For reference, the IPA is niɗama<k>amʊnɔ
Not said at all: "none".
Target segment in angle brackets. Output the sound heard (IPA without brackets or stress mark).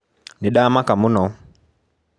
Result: k